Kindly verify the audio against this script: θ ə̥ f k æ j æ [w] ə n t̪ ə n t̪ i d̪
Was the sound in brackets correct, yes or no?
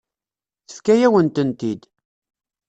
yes